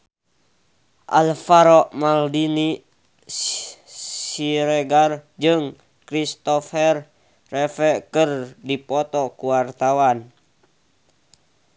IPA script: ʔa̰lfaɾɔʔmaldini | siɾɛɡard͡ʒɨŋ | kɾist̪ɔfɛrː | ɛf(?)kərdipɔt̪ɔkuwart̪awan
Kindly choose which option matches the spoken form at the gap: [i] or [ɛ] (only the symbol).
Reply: ɛ